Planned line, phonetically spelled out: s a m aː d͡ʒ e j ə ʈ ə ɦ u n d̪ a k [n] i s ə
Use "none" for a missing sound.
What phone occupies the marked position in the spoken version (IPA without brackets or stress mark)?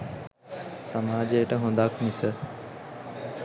m